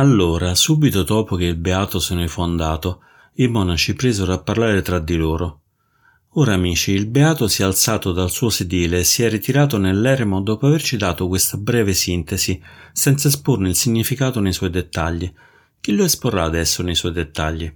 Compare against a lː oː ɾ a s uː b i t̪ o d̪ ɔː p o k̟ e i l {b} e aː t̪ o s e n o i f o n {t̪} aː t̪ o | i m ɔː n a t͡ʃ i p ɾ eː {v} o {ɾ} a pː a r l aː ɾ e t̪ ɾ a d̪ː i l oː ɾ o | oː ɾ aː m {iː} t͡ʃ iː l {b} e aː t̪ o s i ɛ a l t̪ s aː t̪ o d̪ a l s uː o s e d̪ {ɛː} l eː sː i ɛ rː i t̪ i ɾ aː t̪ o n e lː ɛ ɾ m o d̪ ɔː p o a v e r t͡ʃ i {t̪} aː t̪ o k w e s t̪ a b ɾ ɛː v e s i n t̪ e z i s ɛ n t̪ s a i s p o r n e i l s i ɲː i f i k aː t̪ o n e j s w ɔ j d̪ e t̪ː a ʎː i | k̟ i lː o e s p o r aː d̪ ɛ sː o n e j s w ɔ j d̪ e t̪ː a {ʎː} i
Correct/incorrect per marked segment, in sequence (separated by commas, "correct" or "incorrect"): correct, incorrect, incorrect, correct, correct, correct, incorrect, incorrect, correct